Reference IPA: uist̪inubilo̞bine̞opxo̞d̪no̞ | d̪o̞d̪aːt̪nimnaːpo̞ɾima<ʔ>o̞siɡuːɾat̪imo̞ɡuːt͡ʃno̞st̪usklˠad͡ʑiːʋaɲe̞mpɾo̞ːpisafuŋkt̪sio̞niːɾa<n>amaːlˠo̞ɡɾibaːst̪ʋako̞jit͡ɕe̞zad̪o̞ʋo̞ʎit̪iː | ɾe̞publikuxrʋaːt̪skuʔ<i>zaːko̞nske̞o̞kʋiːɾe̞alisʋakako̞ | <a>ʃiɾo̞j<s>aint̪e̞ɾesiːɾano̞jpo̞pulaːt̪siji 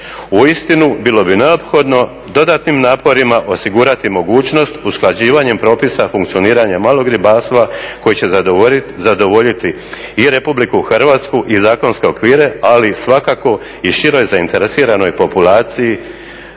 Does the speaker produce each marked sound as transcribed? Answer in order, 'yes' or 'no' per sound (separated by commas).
yes, no, yes, no, no